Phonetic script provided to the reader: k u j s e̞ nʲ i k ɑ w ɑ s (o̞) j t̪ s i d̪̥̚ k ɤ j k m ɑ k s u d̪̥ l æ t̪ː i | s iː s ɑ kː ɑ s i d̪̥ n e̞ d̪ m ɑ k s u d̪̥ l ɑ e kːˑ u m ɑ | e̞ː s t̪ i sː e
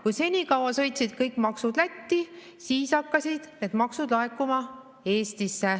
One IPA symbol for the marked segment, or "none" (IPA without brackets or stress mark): ɤ̞